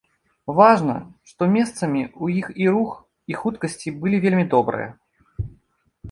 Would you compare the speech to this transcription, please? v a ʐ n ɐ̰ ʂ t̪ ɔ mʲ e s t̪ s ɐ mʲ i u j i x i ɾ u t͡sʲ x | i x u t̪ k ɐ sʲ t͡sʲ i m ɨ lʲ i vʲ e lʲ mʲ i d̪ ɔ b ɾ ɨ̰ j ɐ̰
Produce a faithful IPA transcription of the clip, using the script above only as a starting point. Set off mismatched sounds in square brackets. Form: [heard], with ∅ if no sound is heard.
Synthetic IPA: v a ʐ n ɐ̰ ʂ t̪ ɔ mʲ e s t̪ s ɐ mʲ i u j i x i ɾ u [∅] x | i x u t̪ k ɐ sʲ t͡sʲ i [b] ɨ lʲ i vʲ e lʲ mʲ i d̪ ɔ b ɾ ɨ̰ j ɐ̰

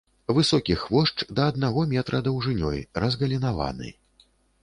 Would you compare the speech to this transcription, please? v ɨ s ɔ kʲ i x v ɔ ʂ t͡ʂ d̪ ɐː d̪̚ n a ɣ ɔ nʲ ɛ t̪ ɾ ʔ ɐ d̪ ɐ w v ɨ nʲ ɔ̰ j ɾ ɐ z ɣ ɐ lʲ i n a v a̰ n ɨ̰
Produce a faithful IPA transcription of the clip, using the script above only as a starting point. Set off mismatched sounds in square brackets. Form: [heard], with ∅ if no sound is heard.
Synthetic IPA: v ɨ s ɔ kʲ i x v ɔ ʂ t͡ʂ d̪ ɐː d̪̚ n a ɣ ɔ [mʲ] ɛ t̪ ɾ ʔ ɐ d̪ ɐ w [ʐ] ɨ nʲ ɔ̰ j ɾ ɐ z ɣ ɐ lʲ i n a v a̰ n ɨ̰

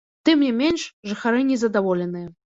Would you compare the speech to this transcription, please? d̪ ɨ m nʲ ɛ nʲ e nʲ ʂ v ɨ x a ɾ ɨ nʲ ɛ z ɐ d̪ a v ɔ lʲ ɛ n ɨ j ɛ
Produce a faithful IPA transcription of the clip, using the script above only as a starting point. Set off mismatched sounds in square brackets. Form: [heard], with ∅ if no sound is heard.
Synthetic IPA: [t̪] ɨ m nʲ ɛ [mʲ] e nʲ ʂ [ʐ] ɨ x a ɾ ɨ nʲ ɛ z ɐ d̪ a v ɔ lʲ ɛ n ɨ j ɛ

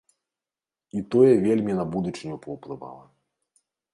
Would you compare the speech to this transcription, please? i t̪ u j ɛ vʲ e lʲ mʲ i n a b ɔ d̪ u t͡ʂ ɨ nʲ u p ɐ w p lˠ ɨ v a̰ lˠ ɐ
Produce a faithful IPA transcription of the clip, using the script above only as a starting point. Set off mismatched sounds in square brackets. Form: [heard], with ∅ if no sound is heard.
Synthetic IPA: i t̪ [ɔ] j ɛ vʲ e lʲ mʲ i n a b [u] d̪ u t͡ʂ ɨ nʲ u p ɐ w p lˠ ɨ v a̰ lˠ ɐ

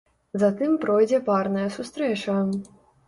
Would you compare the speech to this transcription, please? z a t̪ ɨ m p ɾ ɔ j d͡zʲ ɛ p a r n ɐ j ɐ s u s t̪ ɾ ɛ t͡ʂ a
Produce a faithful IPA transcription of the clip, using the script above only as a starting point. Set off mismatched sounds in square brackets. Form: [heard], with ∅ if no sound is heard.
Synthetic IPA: z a t̪ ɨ m p ɾ ɔ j d͡zʲ ɛ p a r n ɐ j ɐ s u s t̪ ɾ ɛ t͡ʂ [ɐ]

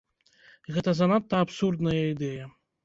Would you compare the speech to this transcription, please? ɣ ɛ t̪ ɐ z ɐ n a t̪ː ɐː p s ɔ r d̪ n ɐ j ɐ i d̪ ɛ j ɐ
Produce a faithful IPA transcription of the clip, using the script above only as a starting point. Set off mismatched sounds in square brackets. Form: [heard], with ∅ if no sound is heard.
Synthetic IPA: ɣ ɛ t̪ ɐ z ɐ n a t̪ː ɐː p s [u] r d̪ n ɐ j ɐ i d̪ ɛ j ɐ

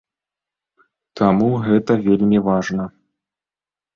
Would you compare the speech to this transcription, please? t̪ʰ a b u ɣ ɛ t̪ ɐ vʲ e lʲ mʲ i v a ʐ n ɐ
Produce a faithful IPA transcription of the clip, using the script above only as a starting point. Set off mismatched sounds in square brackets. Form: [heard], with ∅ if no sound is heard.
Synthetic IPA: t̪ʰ a [m] u ɣ ɛ t̪ ɐ vʲ e lʲ mʲ i v a ʐ n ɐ

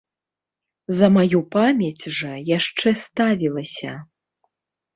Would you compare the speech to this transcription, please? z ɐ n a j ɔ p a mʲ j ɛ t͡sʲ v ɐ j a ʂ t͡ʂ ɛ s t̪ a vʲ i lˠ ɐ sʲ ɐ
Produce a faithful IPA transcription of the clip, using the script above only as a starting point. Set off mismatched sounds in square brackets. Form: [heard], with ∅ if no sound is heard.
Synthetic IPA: z ɐ [m] a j [u] p a mʲ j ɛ t͡sʲ [ʐ] ɐ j a ʂ t͡ʂ ɛ s t̪ a vʲ i lˠ ɐ sʲ ɐ

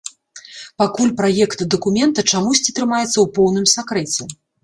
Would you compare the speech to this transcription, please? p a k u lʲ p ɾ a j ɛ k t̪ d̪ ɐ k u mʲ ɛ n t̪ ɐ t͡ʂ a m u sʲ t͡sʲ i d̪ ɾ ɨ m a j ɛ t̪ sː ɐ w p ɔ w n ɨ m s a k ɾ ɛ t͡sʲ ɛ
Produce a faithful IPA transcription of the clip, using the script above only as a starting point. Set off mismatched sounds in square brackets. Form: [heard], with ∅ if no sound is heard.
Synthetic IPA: p a k u lʲ p ɾ a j ɛ k t̪ d̪ ɐ k u mʲ ɛ n t̪ ɐ t͡ʂ a m u sʲ t͡sʲ i [t̪] ɾ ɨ m a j ɛ t̪ sː ɐ w p ɔ w n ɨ m s a k ɾ ɛ t͡sʲ ɛ

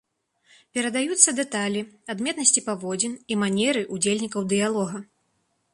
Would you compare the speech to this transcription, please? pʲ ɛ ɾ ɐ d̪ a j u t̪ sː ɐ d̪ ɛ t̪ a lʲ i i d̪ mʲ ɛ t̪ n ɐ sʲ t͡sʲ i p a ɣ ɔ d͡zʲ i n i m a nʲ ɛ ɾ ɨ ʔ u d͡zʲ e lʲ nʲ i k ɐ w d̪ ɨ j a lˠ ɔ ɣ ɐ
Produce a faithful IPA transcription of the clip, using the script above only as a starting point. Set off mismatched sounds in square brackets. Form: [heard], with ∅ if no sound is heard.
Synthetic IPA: pʲ ɛ ɾ ɐ d̪ a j u t̪ sː ɐ d̪ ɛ t̪ a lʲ i [a] d̪ mʲ ɛ t̪ n ɐ sʲ t͡sʲ i p a [v] ɔ d͡zʲ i n i m a nʲ ɛ ɾ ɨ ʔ u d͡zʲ e lʲ nʲ i k ɐ w d̪ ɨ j a lˠ ɔ ɣ ɐ

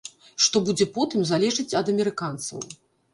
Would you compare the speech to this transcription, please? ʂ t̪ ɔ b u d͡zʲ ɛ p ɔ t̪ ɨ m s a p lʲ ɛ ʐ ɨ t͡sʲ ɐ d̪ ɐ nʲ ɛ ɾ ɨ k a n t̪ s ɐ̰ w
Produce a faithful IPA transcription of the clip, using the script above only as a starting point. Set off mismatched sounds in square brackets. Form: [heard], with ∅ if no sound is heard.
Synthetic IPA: ʂ t̪ ɔ b u d͡zʲ ɛ p ɔ t̪ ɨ m [z] a [∅] lʲ ɛ ʐ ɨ t͡sʲ ɐ d̪ ɐ [mʲ] ɛ ɾ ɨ k a n t̪ s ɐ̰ w

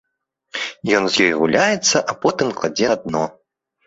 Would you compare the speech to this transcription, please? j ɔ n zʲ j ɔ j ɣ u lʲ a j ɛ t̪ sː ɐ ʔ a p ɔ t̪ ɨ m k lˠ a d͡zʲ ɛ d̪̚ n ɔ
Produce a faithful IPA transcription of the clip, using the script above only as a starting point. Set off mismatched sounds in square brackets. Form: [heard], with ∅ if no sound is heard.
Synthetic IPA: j ɔ n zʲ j ɔ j ɣ u lʲ a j ɛ t̪ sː ɐ ʔ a p ɔ t̪ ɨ m k lˠ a d͡zʲ ɛ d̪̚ n ɔ

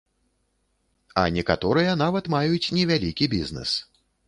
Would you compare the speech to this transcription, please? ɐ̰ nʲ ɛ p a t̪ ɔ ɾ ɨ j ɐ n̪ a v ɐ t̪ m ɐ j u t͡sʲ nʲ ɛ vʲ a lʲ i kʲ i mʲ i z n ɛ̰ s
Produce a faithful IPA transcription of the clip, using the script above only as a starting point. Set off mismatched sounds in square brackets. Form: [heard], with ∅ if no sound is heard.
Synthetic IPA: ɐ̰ nʲ ɛ [k] a t̪ ɔ ɾ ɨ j ɐ n̪ a v ɐ t̪ m [a] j u t͡sʲ nʲ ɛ vʲ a lʲ i kʲ i [bʲ] i z n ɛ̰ s

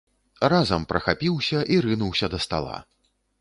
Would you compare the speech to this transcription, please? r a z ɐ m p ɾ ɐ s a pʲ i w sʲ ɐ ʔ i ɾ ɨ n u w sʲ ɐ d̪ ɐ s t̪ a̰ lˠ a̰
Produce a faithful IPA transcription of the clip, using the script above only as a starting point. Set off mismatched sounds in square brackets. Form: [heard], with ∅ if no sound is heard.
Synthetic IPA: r a z ɐ m p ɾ ɐ [x] a pʲ i w sʲ ɐ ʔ i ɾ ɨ n u w sʲ ɐ d̪ ɐ s t̪ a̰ lˠ a̰

